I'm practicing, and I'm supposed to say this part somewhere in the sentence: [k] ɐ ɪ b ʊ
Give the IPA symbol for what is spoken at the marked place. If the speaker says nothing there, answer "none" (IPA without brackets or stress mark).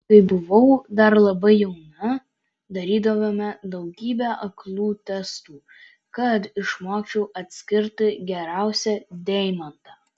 k